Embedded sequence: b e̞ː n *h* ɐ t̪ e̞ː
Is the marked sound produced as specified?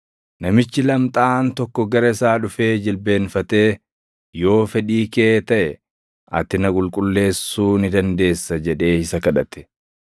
no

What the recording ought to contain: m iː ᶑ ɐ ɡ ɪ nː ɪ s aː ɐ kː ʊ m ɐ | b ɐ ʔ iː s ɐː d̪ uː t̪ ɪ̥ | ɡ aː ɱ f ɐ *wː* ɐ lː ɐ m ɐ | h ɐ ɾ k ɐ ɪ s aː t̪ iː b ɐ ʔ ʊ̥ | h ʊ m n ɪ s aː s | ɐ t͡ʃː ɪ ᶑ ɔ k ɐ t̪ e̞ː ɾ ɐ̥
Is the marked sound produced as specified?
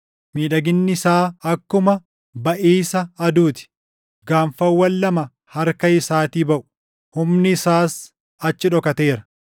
yes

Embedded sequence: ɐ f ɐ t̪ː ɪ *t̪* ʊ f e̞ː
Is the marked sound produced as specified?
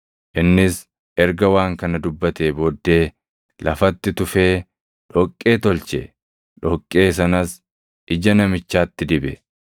yes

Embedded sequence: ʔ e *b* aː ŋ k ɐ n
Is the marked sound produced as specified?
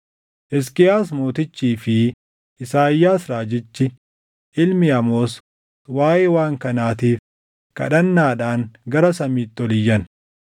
no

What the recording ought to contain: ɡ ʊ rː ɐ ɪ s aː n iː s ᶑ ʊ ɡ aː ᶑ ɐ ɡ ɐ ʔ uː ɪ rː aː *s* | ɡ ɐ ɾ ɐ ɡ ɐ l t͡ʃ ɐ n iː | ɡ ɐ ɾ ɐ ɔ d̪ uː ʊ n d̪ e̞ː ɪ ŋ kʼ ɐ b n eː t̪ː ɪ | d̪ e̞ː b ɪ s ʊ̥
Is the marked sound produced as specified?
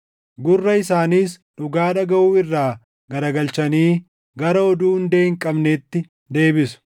no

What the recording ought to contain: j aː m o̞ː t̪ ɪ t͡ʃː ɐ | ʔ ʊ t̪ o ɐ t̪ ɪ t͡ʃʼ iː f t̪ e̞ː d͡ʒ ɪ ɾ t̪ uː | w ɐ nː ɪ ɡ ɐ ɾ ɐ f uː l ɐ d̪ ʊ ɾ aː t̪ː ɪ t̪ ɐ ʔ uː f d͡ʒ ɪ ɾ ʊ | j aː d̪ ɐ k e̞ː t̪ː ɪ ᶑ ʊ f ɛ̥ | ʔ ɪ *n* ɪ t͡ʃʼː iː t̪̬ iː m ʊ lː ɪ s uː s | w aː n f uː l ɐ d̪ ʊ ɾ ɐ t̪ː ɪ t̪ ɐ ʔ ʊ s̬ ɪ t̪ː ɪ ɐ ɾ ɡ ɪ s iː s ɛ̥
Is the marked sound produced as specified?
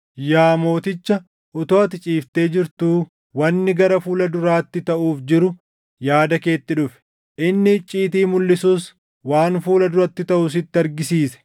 no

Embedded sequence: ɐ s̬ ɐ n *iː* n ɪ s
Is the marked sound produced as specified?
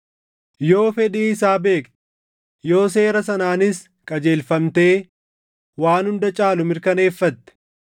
no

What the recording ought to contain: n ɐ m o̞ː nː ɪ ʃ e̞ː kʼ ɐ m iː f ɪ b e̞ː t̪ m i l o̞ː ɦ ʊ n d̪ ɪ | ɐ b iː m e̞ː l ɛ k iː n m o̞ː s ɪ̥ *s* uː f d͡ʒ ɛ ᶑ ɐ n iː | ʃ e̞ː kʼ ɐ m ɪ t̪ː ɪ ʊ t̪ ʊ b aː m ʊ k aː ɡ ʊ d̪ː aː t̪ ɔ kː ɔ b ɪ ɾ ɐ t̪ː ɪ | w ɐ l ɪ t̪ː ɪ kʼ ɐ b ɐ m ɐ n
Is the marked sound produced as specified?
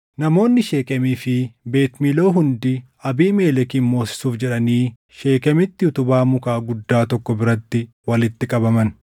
yes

